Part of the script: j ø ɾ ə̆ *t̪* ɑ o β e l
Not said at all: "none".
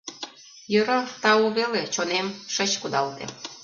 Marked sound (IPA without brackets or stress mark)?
t̪